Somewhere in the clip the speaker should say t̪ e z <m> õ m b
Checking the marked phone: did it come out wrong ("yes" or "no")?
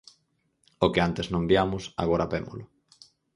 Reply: yes